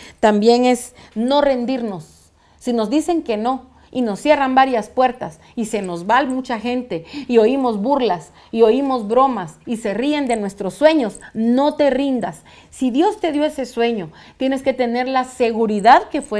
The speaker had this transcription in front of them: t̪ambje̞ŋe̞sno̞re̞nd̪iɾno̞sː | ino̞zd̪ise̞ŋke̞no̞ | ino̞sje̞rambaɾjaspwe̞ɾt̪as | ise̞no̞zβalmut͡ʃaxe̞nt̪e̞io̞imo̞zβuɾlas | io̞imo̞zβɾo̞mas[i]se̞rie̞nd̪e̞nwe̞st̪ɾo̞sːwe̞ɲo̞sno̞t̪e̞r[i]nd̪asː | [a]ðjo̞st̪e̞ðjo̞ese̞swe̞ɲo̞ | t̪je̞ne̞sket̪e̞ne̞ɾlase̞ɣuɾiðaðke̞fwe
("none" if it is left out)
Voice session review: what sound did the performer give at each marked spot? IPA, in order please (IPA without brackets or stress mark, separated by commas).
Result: i, i, i